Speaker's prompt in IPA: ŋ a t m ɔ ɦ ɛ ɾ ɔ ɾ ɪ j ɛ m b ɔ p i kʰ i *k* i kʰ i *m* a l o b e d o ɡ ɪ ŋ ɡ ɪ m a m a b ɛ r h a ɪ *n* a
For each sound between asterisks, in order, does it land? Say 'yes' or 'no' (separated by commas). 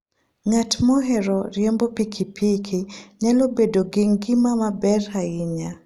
no, no, no